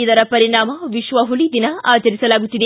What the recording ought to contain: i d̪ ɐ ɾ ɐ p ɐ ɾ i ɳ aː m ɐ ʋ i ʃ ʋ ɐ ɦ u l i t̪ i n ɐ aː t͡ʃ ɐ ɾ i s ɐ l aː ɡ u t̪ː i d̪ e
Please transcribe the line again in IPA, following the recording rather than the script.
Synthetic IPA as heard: i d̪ ɐ ɾ ɐ p ɐ ɾ i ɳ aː m ɐ ʋ i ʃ ʋ ɐ ɦ u l i d̪ i n ɐ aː t͡ʃ ɐ ɾ i s ɐ l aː ɡ u t̪ː i d̪ e

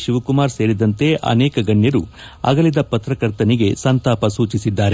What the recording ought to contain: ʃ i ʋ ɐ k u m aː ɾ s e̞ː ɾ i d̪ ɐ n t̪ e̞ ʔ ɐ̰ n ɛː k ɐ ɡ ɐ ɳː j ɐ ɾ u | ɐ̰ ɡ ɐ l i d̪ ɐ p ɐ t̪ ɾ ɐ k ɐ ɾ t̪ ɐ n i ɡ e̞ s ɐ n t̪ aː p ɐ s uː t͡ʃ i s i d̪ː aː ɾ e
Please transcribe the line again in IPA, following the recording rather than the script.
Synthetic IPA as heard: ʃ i ʋ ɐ k u m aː ɾ s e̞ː ɾ i d̪ ɐ n t̪ e̞ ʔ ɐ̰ n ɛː k ɐ ɡ ɐ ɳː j ɐ ɾ u | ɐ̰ ɡ ɐ l i d̪ ɐ p ɐ t̪ ɾ ɐ k ɐ ɾ t̪ ɐ n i ɡ e̞ s ɐ n t̪ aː p ɐ s uː t͡ʃ i s i d̪ː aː ɾ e

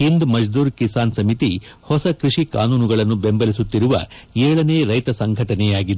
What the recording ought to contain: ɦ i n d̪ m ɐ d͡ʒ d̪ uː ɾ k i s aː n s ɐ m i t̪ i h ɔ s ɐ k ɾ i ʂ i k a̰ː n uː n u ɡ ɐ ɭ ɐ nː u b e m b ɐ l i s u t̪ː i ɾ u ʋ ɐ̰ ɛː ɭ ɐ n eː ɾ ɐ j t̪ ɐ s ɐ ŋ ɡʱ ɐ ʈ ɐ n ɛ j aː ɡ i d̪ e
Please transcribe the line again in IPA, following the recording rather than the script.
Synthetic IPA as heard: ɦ i n d̪ m ɐ d͡ʒ d̪ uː ɾ k i s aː n s ɐ m i t̪ i h ɔ s ɐ k ɾ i ʂ i k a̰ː n uː n u ɡ ɐ ɭ ɐ nː u b e m b ɐ l i s u t̪ː i ɾ u ʋ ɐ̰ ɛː ɭ ɐ n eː ɾ ɐ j t̪ ɐ s ɐ ŋ ɡʱ ɐ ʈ ɐ n ɛ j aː ɡ i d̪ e

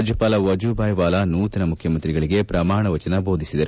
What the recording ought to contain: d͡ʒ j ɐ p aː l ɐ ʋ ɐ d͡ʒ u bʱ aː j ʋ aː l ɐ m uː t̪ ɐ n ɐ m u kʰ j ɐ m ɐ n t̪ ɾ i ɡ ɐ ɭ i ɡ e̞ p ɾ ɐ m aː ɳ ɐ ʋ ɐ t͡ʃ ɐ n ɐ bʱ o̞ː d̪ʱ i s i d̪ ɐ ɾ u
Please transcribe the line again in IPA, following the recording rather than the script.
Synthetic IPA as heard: d͡ʒ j ɐ p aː l ɐ ʋ ɐ d͡ʒ u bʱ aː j ʋ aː l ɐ n uː t̪ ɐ n ɐ m u kʰ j ɐ m ɐ n t̪ ɾ i ɡ ɐ ɭ i ɡ e̞ p ɾ ɐ m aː ɳ ɐ ʋ ɐ t͡ʃ ɐ n ɐ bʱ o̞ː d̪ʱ i s i d̪ ɐ ɾ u

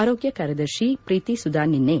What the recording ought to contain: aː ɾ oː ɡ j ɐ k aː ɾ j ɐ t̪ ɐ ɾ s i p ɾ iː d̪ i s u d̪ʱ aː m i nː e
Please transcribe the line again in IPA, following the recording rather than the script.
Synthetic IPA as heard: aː ɾ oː ɡ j ɐ k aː ɾ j ɐ d̪ ɐ ɾ ʃ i p ɾ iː t̪ i s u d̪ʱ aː n i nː e

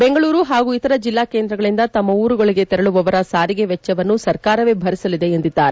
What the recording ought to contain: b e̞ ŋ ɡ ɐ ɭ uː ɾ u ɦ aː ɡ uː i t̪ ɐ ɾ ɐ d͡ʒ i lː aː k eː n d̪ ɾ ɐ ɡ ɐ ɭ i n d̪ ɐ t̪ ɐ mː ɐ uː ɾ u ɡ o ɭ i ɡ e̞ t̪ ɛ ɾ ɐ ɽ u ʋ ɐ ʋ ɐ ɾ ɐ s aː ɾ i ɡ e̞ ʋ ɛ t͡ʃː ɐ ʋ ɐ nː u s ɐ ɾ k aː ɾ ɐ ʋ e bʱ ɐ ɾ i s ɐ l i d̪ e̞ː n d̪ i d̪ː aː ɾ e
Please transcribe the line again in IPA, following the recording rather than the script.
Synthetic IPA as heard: b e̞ ŋ ɡ ɐ ɭ uː ɾ u ɦ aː ɡ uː i t̪ ɐ ɾ ɐ d͡ʒ i lː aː k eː n d̪ ɾ ɐ ɡ ɐ ɭ i n d̪ ɐ t̪ ɐ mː ɐ uː ɾ u ɡ o ɭ i ɡ e̞ t̪ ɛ ɾ ɐ ɭ u ʋ ɐ ʋ ɐ ɾ ɐ s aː ɾ i ɡ e̞ ʋ ɛ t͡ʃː ɐ ʋ ɐ nː u s ɐ ɾ k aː ɾ ɐ ʋ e bʱ ɐ ɾ i s ɐ l i d̪ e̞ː n d̪ i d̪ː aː ɾ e

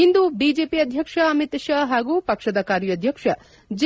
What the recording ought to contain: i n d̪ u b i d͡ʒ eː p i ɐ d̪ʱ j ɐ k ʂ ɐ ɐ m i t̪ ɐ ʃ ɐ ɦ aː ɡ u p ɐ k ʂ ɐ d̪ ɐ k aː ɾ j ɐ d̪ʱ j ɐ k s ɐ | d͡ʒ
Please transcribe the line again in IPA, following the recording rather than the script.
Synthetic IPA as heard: i n d̪ u b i d͡ʒ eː p i ɐ d̪ʱ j ɐ k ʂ ɐ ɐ m i t̪ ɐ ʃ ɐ ɦ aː ɡ u p ɐ k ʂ ɐ d̪ ɐ k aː ɾ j ɐ d̪ʱ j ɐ k ʂ ɐ | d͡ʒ

